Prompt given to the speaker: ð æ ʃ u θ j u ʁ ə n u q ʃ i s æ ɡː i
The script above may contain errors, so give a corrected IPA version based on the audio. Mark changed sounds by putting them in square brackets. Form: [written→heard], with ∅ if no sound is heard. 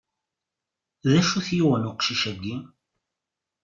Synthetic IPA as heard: ð æ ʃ u θ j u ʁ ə n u q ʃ i [s→ʃ] æ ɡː i